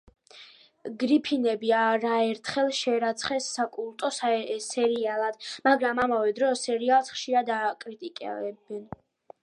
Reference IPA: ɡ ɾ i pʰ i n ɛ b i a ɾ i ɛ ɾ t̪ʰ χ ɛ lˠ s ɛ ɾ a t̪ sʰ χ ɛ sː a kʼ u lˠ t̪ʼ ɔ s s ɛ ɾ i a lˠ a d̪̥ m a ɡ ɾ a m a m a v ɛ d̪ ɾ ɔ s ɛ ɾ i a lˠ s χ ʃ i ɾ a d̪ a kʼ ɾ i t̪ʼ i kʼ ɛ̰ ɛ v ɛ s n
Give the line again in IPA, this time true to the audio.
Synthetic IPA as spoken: ɡ ɾ i pʰ i n ɛ b i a ɾ a ɛ ɾ t̪ʰ χ ɛ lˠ ʃ ɛ ɾ a t̪ sʰ χ ɛ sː a kʼ u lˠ t̪ʼ ɔ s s ɛ ɾ i a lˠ a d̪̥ m a ɡ ɾ a m a m a v ɛ d̪ ɾ ɔ s ɛ ɾ i a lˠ s χ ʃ i ɾ a d̪ a kʼ ɾ i t̪ʼ i kʼ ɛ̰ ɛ b ɛ n